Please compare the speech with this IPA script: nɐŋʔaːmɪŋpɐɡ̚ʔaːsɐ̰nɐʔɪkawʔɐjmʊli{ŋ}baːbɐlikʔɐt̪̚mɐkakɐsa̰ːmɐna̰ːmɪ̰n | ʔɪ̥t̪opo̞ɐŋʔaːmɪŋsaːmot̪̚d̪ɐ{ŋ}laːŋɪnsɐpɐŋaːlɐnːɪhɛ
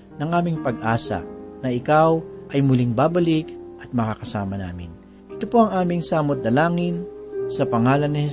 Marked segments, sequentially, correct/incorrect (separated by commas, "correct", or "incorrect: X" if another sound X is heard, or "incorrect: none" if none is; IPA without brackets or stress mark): correct, incorrect: none